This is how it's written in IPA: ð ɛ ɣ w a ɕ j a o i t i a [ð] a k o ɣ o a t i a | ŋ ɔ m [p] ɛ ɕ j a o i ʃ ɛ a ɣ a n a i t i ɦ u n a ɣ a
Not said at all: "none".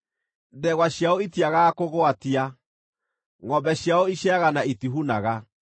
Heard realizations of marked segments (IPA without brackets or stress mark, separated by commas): ɣ, b